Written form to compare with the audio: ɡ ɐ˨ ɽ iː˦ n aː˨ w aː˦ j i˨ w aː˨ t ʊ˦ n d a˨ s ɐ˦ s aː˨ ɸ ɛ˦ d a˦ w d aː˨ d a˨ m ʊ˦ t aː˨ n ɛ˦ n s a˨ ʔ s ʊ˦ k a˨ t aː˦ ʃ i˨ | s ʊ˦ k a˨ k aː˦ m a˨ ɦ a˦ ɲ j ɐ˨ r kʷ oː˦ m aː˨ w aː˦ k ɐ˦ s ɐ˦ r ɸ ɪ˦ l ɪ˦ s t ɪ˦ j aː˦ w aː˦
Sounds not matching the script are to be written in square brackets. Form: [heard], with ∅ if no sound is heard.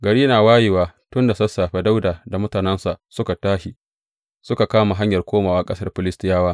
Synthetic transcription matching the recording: ɡ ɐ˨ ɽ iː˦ n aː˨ w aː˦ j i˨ w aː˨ t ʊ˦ n d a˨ s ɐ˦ s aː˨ ɸ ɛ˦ d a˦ w d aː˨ d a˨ m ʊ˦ t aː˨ n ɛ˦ n s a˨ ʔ s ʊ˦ k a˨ t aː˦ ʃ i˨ | s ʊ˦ k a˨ k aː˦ m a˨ ɦ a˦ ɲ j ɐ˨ r kʷ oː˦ m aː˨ w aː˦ [kʼ] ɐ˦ s ɐ˦ r ɸ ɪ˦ l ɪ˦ s t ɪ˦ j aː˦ w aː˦